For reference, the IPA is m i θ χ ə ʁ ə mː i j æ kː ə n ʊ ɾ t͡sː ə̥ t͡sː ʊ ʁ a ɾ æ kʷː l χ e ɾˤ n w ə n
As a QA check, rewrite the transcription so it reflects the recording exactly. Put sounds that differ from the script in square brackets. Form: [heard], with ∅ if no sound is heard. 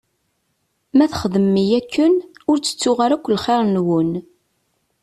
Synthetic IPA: m [æ] θ χ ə [ð] ə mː i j æ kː ə n ʊ ɾ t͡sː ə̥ t͡sː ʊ ʁ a ɾ æ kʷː l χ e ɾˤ n w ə n

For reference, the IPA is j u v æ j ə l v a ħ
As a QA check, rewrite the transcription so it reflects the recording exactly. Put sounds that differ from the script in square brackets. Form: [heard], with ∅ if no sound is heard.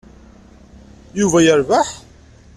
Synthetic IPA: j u v æ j ə [ɾ] v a ħ

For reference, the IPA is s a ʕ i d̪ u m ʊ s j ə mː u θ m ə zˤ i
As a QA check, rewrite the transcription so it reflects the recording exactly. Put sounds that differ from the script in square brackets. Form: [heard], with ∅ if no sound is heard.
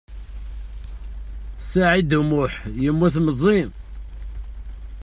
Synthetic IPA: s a ʕ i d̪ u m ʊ [ħ] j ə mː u θ m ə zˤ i

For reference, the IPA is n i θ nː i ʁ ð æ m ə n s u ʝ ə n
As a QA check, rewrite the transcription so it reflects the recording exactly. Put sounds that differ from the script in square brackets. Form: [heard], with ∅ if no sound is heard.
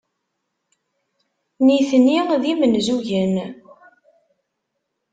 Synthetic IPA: n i θ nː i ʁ ð [i] m ə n [z] u ʝ ə n

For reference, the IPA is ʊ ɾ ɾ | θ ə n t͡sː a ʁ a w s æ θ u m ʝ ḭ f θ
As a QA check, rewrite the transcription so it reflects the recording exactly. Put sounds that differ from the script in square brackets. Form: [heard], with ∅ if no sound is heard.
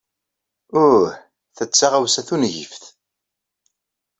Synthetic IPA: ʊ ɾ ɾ | θ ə [∅] t͡sː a ʁ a w s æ θ u [n] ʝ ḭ f θ

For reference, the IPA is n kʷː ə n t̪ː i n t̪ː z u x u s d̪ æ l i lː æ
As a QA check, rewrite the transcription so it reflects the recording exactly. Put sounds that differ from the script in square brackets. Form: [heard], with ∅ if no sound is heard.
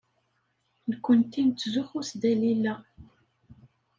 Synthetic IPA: n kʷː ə n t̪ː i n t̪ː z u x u s d̪ æ l i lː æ

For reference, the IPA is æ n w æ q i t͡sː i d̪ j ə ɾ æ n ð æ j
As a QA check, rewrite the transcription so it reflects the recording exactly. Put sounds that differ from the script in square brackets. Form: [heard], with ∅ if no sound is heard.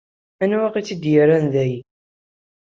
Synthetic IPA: æ n w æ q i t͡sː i d̪ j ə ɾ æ n ð æ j

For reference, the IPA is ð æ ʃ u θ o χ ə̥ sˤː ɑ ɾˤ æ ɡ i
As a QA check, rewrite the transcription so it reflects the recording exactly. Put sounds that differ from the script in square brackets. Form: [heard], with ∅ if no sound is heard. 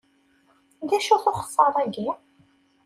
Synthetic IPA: ð æ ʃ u θ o χ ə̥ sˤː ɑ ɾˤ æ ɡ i

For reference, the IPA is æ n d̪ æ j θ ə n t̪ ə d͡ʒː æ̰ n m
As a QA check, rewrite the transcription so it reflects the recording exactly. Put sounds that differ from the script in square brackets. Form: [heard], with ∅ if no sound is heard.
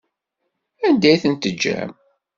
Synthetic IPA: æ n d̪ æ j θ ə n t̪ ə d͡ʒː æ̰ [∅] m

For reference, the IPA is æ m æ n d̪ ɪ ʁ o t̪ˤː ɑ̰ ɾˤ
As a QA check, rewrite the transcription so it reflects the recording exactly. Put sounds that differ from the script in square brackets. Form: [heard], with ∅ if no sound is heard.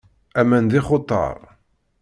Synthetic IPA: æ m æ n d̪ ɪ [χ] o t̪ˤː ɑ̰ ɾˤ

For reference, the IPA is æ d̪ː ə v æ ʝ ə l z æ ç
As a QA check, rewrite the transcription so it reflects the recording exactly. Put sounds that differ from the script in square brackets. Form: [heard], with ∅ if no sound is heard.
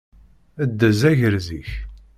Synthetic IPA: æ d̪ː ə [z] æ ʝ ə [ɾ] z [i] ç

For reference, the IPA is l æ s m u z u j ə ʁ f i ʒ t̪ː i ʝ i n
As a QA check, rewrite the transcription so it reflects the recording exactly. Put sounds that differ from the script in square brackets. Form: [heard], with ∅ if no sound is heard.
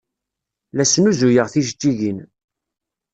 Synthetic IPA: l æ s [n] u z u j ə ʁ [θ] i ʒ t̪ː i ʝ i n

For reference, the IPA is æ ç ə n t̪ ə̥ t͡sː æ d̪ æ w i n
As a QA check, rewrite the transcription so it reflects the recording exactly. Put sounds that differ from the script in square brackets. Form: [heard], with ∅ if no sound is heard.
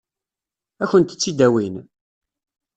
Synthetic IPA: æ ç ə n t̪ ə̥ t͡sː [i] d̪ æ w i n

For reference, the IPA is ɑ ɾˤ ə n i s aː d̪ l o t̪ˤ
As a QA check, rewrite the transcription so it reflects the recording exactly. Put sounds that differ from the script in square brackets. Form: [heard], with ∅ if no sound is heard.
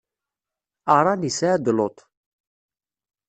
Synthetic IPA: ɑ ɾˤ [ɑ] n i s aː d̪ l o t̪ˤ

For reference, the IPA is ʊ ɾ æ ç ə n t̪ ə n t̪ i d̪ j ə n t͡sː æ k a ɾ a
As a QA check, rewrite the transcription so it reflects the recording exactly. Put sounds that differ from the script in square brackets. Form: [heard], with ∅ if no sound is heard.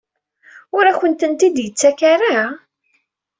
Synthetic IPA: ʊ ɾ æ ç ə n t̪ ə n t̪ i d̪ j ə [∅] t͡sː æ k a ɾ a

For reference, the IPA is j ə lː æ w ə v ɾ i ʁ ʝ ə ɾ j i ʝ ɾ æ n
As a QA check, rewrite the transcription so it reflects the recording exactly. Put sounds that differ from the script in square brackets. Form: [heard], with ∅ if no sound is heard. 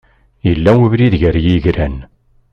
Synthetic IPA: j ə lː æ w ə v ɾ i [ð] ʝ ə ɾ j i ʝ ɾ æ n

